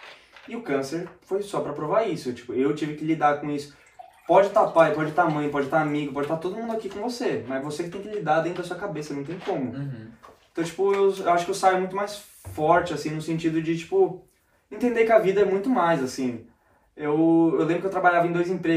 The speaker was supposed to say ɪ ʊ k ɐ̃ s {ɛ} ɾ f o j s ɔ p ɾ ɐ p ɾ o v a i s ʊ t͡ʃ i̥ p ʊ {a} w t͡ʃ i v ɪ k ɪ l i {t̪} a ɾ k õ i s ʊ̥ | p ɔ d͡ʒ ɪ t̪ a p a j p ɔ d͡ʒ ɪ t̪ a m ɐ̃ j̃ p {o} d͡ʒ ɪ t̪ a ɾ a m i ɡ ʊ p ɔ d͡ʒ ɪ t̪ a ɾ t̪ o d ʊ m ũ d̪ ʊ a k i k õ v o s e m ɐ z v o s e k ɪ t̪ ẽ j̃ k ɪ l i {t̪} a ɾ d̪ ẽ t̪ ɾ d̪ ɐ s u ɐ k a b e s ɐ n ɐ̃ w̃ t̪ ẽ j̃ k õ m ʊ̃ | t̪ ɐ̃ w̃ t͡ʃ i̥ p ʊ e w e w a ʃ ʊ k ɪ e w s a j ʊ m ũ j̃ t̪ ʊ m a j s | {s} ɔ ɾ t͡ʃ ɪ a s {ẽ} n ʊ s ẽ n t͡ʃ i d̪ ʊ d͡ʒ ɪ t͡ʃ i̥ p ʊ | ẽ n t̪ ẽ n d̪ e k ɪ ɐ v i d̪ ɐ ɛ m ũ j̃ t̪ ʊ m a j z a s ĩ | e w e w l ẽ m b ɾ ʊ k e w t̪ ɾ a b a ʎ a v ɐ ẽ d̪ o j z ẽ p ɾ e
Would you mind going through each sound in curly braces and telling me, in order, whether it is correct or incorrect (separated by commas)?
incorrect, incorrect, incorrect, incorrect, incorrect, incorrect, incorrect